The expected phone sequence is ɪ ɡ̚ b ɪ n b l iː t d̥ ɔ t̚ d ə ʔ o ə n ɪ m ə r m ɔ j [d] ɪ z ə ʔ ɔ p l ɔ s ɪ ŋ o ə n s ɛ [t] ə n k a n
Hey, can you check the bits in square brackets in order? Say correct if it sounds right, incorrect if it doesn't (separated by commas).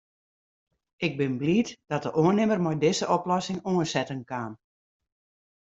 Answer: correct, correct